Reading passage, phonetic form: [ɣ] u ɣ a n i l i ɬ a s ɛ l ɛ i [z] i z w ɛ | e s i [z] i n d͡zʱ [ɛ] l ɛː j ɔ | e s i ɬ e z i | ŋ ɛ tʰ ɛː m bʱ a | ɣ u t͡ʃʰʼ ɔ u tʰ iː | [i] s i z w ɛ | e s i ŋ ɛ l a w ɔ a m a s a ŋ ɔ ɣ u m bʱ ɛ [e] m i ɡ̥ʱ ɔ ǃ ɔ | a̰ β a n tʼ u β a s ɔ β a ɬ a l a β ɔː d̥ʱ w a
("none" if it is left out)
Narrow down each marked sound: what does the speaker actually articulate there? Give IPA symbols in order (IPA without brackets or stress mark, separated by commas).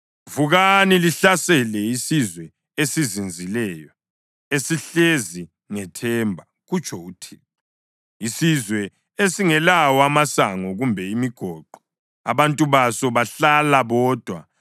v, s, z, i, i, i